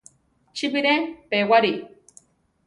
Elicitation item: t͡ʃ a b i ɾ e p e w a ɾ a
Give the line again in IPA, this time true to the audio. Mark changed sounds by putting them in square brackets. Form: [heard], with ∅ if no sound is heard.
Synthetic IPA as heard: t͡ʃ [i] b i ɾ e p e w a ɾ [i]